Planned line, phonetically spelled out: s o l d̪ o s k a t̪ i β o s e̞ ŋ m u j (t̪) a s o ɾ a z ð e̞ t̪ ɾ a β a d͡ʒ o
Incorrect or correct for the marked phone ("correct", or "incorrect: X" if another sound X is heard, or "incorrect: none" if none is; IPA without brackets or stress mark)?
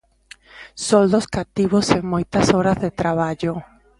correct